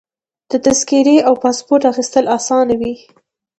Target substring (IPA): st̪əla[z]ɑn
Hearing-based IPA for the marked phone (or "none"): s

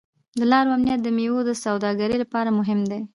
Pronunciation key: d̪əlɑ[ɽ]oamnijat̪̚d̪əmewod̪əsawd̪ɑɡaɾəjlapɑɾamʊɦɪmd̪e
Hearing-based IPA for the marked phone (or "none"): ɾ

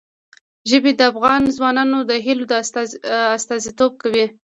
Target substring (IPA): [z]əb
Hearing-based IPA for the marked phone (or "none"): ʒ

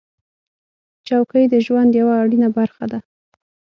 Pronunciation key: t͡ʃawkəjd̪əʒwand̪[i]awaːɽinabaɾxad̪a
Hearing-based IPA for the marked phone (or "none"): j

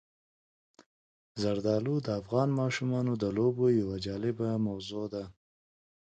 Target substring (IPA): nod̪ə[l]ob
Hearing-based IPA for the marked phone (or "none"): l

